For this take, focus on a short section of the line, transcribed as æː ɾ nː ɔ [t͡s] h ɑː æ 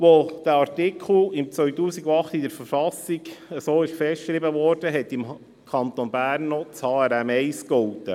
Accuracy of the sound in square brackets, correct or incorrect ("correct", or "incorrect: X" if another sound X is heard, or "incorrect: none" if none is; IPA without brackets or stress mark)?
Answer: correct